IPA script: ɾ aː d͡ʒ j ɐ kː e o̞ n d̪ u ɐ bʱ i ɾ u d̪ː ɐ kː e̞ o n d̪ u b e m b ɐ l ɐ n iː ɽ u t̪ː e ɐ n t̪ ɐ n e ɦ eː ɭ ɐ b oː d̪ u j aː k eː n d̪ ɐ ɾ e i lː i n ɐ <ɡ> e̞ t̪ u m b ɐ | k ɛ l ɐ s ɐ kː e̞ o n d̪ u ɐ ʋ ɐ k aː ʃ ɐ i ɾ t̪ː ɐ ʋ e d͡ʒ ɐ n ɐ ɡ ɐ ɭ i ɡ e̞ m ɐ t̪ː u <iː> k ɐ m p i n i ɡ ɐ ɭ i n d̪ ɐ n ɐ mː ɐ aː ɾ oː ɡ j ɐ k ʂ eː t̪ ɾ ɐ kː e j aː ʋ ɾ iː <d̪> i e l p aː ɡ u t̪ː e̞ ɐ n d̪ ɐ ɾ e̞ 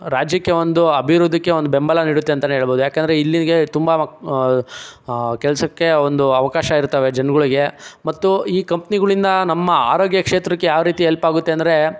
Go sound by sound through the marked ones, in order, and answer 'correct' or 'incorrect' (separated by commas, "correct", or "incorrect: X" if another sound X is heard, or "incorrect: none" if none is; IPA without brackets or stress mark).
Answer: correct, correct, incorrect: t̪